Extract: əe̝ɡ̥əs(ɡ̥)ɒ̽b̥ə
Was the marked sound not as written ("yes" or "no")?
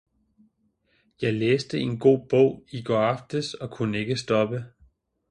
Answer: yes